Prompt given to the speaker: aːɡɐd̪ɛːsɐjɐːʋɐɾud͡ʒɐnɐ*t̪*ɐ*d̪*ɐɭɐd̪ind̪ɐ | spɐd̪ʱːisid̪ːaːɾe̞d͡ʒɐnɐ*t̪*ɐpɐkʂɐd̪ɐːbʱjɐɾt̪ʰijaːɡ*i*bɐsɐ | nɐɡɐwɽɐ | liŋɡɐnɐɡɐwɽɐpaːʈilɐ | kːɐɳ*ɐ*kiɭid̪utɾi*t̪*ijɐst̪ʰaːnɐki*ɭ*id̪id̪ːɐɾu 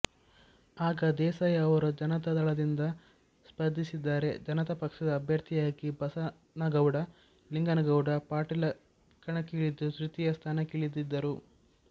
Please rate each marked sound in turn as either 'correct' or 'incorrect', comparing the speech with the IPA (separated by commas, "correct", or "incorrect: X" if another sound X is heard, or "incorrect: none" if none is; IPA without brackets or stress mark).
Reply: correct, correct, correct, correct, correct, correct, correct